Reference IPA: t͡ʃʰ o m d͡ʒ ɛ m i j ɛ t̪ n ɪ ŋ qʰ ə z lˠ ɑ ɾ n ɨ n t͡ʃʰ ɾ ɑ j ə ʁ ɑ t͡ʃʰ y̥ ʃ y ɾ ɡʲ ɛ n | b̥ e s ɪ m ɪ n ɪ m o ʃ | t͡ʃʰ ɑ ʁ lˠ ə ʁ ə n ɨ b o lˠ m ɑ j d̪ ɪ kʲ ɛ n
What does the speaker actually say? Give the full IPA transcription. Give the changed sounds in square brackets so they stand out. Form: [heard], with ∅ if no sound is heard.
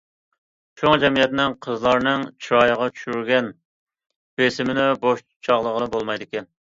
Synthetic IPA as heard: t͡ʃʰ o [ŋ] d͡ʒ ɛ m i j ɛ t̪ n ɪ ŋ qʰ ə z lˠ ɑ ɾ n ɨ [ŋ] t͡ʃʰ ɾ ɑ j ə ʁ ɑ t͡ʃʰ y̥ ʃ y ɾ ɡʲ ɛ n | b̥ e s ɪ m ɪ n ɪ [b] o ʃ | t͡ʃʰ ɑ ʁ lˠ ə ʁ ə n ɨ b o lˠ m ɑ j d̪ ɪ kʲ ɛ n